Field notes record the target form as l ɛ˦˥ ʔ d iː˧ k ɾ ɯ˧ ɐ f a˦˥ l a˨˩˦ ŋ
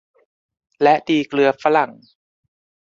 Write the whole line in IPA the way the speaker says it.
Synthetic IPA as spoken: l ɛ˦˥ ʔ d iː˧ k l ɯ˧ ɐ f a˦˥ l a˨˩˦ ŋ